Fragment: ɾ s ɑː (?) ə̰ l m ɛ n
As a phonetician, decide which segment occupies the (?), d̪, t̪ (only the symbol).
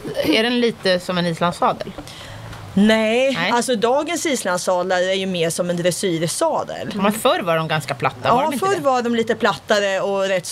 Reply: d̪